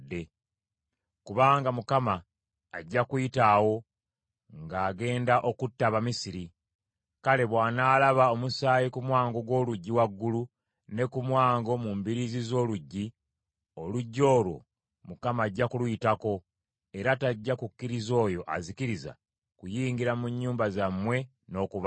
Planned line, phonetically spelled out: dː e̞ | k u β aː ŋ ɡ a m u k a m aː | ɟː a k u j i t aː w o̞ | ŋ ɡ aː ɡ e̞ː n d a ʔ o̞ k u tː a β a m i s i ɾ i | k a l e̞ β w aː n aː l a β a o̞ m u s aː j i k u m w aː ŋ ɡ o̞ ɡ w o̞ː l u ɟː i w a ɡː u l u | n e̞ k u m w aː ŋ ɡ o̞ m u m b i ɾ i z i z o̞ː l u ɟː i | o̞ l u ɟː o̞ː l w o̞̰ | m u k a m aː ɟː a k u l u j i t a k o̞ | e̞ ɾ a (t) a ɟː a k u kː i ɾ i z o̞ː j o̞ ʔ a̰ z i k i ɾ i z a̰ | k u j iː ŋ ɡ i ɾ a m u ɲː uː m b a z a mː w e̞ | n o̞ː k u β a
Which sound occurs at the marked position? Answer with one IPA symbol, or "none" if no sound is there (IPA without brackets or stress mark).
t